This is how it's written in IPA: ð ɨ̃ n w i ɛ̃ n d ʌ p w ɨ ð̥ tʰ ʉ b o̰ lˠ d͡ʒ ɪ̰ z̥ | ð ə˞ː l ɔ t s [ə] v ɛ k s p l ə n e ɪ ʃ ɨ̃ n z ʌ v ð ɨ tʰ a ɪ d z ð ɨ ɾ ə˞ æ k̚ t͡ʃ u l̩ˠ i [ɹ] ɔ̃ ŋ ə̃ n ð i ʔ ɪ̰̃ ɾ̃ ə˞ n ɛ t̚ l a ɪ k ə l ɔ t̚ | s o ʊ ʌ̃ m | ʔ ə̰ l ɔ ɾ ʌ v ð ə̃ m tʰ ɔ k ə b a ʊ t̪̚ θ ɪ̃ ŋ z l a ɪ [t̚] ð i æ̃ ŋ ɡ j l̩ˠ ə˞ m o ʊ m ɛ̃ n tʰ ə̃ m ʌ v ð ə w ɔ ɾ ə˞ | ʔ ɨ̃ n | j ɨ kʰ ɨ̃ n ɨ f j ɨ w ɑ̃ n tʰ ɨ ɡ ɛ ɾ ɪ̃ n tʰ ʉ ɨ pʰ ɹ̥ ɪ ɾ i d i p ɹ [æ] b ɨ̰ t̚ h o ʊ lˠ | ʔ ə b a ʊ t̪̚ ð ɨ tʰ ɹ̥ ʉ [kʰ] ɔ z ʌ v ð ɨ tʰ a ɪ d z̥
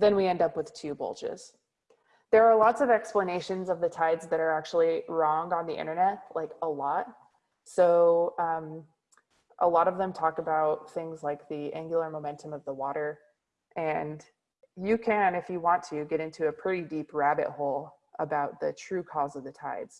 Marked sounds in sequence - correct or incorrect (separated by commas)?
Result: incorrect, correct, incorrect, correct, correct